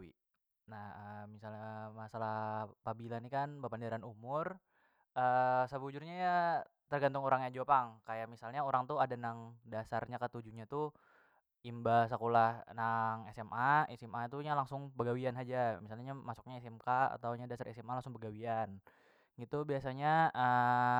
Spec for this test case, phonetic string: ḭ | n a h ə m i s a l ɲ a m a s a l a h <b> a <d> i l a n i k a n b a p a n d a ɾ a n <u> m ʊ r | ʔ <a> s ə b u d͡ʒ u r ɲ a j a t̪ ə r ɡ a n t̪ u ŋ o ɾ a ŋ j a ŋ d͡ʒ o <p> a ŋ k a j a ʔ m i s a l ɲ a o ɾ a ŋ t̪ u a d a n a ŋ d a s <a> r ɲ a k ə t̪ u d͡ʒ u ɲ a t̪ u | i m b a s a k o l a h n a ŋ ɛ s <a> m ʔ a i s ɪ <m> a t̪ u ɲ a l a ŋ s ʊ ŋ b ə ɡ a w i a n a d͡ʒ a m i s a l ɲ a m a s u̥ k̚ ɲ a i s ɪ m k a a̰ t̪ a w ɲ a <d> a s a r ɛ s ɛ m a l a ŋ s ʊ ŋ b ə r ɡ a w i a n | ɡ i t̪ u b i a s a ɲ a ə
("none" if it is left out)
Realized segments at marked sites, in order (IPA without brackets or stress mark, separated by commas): p, b, u, ə, p, a, ɛ, m, d